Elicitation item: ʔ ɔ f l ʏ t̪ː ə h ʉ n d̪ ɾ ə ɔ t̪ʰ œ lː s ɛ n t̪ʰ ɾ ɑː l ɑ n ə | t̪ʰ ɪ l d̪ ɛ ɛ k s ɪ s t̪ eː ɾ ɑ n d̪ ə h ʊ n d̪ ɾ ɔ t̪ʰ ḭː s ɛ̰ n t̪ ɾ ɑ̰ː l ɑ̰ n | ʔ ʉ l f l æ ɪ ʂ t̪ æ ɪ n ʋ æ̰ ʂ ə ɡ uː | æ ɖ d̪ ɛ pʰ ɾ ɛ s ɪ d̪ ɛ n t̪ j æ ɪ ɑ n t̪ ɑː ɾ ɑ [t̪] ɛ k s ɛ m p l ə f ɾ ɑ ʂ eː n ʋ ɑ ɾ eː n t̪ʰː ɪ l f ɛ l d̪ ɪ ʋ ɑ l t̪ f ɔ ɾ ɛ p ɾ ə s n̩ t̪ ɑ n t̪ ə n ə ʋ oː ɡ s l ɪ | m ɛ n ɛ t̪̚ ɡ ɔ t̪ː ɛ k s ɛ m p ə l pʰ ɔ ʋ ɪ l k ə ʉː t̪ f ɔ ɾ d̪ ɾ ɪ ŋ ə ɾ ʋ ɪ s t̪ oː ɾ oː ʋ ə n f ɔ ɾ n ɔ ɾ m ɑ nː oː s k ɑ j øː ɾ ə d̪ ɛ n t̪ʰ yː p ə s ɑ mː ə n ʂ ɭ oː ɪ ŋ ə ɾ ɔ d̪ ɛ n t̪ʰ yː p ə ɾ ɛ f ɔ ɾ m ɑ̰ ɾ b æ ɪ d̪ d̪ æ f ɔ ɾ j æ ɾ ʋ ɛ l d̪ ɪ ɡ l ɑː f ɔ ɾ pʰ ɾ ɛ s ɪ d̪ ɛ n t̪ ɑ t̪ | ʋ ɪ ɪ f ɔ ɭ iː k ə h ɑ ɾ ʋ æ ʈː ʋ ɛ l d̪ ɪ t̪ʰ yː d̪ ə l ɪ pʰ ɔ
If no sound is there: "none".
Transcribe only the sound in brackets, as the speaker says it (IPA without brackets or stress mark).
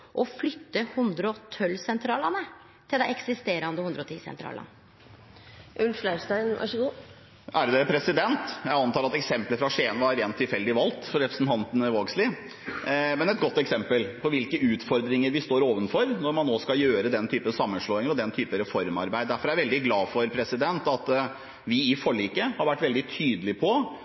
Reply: t̪